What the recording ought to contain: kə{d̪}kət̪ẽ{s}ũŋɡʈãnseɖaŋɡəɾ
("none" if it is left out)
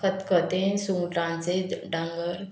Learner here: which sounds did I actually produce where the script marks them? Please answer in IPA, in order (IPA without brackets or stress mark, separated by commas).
t̪, s